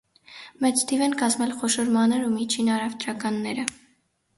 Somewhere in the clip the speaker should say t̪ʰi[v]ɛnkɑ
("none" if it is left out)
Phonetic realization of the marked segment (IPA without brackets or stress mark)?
v